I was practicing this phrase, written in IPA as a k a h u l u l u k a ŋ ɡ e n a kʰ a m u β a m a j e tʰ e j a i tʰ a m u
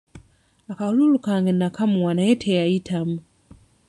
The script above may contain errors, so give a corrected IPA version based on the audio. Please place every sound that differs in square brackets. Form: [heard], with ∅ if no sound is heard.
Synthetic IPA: a k a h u l u l u k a ŋ ɡ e n a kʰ a m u [w] a [n] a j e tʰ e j a i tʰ a m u